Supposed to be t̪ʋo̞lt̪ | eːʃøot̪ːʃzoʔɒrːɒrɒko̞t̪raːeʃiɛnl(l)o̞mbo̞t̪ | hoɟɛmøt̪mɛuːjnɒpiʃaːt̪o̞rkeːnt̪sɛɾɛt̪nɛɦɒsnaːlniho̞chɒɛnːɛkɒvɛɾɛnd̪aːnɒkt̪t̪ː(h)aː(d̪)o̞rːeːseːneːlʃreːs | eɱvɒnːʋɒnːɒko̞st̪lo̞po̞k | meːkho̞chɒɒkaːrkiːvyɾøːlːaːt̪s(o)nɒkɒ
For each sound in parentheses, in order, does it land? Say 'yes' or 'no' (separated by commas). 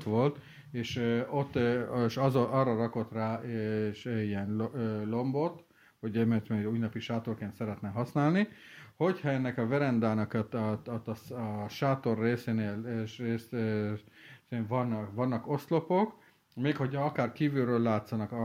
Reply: yes, no, no, no